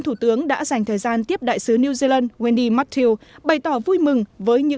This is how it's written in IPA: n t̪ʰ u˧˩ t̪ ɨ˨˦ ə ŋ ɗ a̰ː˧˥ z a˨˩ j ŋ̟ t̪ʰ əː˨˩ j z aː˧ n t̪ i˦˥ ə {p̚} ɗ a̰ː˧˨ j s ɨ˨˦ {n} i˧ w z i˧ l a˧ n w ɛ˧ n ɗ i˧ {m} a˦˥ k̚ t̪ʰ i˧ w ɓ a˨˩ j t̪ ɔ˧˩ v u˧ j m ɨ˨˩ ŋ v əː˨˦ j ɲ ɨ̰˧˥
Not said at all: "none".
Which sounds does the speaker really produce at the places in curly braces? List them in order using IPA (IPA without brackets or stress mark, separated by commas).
p̚, n, m